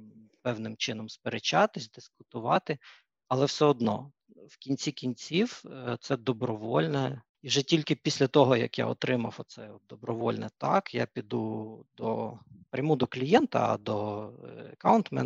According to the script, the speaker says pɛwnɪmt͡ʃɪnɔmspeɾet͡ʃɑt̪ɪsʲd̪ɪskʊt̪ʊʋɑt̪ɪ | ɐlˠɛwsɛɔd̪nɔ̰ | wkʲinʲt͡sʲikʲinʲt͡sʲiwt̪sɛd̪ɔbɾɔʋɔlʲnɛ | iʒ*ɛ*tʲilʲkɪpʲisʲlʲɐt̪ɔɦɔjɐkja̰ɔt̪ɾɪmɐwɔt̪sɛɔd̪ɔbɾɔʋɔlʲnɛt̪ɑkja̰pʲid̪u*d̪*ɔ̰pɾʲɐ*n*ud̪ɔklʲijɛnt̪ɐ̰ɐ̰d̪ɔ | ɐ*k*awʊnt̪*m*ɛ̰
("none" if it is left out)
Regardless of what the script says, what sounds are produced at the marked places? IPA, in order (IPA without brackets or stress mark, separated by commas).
ɛ, d̪, m, k, m